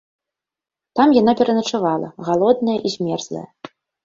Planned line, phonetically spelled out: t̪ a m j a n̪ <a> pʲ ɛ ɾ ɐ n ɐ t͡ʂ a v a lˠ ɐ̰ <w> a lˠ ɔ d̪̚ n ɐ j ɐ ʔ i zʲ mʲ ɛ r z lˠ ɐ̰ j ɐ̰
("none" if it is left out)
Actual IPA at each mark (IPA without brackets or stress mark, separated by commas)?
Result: a, ɣ